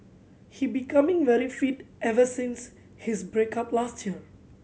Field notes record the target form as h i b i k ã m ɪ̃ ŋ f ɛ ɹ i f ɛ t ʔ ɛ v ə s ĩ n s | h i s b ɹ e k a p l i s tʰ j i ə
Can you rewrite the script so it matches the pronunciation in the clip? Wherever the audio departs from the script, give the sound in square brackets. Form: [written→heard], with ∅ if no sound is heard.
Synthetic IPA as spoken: h i b i k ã m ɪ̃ ŋ [f→v] ɛ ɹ i f [ɛ→i] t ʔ ɛ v ə s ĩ n s | h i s b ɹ e k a p l [i→a] s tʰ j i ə